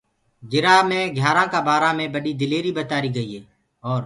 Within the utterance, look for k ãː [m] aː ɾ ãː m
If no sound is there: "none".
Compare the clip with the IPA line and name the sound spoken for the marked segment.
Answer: b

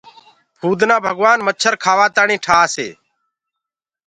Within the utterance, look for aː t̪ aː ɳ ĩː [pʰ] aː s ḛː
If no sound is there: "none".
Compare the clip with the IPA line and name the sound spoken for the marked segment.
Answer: ʈʰ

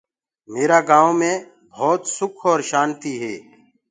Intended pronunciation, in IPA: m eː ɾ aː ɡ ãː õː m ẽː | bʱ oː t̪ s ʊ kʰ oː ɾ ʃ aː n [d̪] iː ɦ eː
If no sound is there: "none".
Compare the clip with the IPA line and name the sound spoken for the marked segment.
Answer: t̪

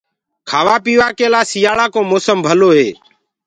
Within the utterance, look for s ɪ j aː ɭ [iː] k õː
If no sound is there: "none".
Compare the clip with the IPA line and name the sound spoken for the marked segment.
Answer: aː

